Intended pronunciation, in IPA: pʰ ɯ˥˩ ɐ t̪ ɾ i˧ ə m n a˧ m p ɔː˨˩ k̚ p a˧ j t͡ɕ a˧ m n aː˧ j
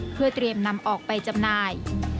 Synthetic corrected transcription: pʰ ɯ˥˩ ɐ t̪ ɾ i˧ ə m n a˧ m ʔ ɔː˨˩ k̚ p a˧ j t͡ɕ a˧ m n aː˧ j

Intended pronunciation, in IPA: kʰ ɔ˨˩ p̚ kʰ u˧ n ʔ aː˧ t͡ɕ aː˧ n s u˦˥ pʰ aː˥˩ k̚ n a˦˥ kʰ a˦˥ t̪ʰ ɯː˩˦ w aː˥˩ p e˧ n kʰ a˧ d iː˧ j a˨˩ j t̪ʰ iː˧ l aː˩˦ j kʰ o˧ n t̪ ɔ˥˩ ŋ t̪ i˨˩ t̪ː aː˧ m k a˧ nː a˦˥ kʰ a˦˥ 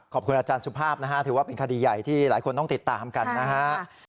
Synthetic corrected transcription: kʰ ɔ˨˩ p̚ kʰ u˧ n ʔ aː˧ t͡ɕ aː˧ n s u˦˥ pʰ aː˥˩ p̚ n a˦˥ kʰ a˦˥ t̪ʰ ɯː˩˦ w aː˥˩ p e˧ n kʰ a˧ d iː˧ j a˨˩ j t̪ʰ iː˥˩ l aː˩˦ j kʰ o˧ n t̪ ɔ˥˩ ŋ t̪ i˨˩ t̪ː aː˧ m k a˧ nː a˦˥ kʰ a˦˥

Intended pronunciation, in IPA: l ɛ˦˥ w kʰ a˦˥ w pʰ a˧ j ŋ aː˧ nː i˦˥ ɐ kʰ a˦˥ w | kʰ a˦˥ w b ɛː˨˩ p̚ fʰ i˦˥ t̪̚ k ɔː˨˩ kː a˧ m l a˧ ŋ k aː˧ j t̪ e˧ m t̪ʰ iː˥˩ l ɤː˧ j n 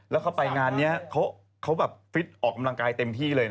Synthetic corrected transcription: l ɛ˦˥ w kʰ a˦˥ w p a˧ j ŋ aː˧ nː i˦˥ ɐ kʰ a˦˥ w | kʰ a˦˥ w b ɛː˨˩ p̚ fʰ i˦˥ t̪̚ ʔ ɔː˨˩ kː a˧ m l a˧ ŋ k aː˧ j t̪ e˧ m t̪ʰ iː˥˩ l ɤː˧ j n

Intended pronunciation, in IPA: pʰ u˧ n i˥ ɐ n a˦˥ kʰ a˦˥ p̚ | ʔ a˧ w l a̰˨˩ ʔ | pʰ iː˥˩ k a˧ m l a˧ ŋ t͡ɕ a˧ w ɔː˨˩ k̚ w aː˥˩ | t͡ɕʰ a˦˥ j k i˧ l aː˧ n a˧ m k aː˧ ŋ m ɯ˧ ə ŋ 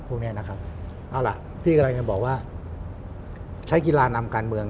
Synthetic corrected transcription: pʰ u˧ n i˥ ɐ n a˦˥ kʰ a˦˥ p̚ | ʔ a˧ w l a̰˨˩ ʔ | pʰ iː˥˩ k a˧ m l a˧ ŋ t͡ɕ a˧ b ɔː˨˩ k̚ w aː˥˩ | t͡ɕʰ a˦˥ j k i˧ l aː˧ n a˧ m k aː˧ n m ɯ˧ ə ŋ

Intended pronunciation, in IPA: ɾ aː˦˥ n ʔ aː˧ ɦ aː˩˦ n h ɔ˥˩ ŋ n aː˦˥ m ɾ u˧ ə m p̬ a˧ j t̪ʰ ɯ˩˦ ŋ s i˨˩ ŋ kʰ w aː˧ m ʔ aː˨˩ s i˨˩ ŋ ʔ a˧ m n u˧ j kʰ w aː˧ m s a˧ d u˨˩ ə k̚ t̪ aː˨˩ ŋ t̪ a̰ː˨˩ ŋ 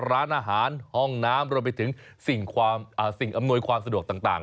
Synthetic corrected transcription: ɾ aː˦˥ n ʔ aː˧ ɦ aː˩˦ n h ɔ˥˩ ŋ n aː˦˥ m ɾ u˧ ə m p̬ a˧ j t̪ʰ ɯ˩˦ ŋ s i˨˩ ŋ kʰ w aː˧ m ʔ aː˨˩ s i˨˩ ŋ ʔ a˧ m n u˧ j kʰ w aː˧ m s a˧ d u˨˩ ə k̚ t̪ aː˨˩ ŋ t̪ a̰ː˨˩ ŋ

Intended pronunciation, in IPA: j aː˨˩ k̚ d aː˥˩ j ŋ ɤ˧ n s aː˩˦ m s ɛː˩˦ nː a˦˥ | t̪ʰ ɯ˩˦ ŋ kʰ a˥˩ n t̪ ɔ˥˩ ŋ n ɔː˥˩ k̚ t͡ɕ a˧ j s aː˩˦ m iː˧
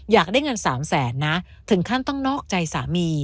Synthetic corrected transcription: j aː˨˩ k̚ d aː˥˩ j ŋ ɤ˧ n s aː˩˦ m s ɛː˩˦ nː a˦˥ | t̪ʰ ɯ˩˦ ŋ kʰ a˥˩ n t̪ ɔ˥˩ ŋ n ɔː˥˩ k̚ t͡ɕ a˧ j s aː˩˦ m iː˧

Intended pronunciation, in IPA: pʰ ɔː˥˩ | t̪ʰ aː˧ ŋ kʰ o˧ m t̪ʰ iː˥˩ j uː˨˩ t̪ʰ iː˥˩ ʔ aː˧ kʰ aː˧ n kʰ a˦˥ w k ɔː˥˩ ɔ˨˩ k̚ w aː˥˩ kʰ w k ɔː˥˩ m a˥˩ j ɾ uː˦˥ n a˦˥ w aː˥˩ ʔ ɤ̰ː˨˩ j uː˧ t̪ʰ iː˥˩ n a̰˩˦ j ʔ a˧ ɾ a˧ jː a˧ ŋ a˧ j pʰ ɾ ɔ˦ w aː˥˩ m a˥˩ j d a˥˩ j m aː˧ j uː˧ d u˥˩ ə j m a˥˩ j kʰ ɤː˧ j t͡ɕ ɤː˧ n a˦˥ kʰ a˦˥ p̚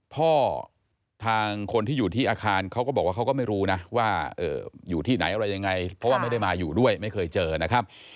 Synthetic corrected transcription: pʰ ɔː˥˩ | t̪ʰ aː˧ ŋ kʰ o˧ n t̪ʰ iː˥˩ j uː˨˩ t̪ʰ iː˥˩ ʔ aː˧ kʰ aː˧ n kʰ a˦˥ w k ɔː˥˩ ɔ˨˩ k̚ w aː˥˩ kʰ w k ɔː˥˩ m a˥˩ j ɾ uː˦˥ n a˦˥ w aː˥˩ ʔ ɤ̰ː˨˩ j uː˨˩ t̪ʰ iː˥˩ n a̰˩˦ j ʔ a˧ ɾ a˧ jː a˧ ŋ a˧ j pʰ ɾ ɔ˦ w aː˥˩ m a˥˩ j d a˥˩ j m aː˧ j uː˨˩ d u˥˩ ə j m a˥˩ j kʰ ɤː˧ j t͡ɕ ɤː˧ n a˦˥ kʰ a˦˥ p̚

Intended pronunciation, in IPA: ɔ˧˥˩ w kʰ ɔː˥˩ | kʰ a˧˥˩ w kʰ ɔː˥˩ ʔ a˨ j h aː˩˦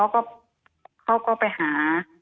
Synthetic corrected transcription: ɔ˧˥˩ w k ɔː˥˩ | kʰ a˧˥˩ w k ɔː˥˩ p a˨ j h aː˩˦

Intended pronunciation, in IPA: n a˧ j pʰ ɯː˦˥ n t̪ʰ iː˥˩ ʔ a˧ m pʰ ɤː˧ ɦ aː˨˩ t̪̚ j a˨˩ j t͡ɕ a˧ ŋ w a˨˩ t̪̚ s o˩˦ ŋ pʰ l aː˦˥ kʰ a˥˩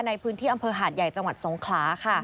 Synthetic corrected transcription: n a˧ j pʰ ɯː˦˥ n t̪ʰ iː˥˩ ʔ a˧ m pʰ ɤː˧ ɦ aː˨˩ t̪̚ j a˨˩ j t͡ɕ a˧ ŋ w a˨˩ t̪̚ s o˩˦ ŋ kʰ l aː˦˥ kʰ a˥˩

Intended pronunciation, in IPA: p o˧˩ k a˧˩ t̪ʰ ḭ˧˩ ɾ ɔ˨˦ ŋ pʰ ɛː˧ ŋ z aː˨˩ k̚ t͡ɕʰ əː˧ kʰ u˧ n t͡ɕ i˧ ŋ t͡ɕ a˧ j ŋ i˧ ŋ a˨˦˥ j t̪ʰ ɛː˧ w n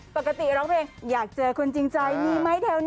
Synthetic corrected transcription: p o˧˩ k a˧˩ t̪ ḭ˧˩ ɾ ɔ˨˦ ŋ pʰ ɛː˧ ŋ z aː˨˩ k̚ t͡ɕ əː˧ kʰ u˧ n t͡ɕ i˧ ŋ t͡ɕ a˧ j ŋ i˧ m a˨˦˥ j t̪ʰ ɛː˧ w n

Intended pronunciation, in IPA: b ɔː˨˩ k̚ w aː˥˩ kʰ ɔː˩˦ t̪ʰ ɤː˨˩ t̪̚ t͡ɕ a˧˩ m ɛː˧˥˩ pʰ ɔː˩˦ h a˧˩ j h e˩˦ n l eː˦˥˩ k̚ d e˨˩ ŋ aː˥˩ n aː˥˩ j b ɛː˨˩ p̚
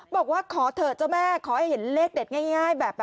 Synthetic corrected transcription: b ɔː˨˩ k̚ w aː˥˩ kʰ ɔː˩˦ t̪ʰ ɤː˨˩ t̪̚ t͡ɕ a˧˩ m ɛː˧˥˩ kʰ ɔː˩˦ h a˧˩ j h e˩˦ n l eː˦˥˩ k̚ d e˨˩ ŋ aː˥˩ ŋ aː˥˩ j b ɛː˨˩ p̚

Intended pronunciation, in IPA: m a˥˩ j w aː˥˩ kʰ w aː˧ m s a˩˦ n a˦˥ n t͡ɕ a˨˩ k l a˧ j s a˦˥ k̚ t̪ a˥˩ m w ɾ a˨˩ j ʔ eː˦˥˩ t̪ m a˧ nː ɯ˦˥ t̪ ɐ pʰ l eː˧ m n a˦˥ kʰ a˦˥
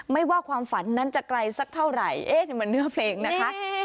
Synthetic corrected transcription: m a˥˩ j w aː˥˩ kʰ w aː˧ m f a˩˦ nː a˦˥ n t͡ɕ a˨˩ k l a˧ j s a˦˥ k̚ t̪ʰ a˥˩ w ɾ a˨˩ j ʔ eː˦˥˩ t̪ m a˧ nː ɯ˦˥ ɐ pʰ l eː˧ ŋ n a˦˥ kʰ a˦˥

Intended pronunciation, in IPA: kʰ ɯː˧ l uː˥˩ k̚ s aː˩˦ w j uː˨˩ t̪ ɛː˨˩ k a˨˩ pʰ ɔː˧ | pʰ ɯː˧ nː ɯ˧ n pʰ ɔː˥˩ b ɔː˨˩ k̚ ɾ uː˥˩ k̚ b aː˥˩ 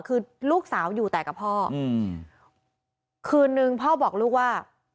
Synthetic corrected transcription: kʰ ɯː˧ l uː˥˩ k̚ s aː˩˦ w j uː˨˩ t̪ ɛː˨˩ k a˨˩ pʰ ɔː˥˩˧ | kʰ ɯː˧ nː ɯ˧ ŋ pʰ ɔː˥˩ b ɔː˨˩ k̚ l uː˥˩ k̚ w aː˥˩

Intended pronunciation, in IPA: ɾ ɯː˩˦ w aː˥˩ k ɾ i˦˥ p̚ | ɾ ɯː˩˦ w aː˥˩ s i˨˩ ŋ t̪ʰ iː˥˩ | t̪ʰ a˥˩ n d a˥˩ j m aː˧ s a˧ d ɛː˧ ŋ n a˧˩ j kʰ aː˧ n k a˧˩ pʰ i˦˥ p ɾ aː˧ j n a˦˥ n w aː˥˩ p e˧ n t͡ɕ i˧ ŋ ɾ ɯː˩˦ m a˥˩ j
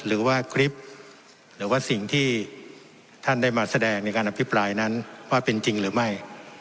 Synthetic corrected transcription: ɾ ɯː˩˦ w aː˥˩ kʰ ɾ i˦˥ p̚ | ɾ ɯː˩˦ w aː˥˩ s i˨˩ ŋ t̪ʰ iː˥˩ | t̪ʰ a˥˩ n d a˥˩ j m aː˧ s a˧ d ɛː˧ ŋ n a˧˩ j k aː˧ n ʔ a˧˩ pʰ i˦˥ p ɾ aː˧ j n a˦˥ n w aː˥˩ p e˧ n t͡ɕ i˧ ŋ ɾ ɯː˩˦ m a˥˩ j

